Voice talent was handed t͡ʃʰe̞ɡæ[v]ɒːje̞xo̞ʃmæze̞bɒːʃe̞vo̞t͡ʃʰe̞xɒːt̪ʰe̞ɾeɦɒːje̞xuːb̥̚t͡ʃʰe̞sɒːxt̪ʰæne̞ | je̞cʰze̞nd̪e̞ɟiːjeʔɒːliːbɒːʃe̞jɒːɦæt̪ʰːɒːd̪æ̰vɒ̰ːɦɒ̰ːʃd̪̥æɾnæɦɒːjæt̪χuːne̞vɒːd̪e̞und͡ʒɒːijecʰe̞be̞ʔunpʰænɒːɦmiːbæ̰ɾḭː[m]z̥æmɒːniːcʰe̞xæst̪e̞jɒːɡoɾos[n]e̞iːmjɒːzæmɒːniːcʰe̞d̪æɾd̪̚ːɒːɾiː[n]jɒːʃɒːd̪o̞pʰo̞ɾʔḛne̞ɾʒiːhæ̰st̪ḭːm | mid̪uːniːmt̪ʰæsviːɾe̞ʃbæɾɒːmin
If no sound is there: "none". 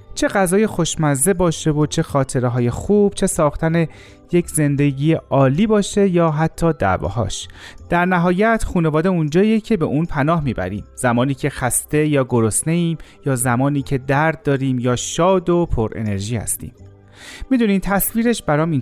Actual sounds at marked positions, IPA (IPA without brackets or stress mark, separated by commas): z, m, n, m